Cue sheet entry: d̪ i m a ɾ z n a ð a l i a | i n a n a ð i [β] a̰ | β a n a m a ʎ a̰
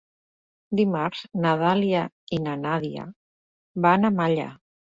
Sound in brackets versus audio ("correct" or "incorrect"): incorrect